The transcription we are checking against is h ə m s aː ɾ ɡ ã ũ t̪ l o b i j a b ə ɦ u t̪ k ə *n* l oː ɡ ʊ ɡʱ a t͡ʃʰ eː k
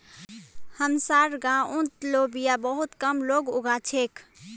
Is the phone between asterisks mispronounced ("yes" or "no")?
yes